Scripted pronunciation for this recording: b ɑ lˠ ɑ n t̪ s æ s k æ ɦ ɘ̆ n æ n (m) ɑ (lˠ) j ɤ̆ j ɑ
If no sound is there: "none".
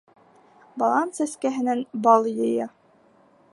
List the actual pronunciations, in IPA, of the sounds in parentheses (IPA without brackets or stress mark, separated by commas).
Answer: b, lˠ